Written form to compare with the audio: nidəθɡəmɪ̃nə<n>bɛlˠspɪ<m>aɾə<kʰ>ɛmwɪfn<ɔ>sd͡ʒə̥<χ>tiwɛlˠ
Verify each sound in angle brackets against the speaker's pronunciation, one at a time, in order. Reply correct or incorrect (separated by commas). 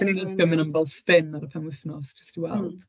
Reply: incorrect, incorrect, incorrect, correct, incorrect